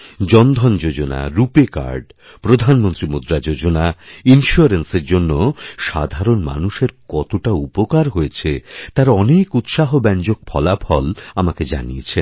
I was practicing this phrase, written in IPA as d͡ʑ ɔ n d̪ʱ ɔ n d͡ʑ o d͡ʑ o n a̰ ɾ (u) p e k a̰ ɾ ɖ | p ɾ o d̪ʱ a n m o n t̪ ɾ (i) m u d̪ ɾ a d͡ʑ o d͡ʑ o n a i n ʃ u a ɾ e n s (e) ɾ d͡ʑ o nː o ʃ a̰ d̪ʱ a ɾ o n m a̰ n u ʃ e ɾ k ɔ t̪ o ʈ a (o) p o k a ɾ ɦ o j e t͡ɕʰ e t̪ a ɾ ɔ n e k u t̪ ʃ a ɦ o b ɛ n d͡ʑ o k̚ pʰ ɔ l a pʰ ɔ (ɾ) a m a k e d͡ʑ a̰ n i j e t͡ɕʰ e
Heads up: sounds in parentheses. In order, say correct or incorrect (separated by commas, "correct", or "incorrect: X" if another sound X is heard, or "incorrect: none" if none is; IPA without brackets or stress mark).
correct, correct, correct, incorrect: u, incorrect: l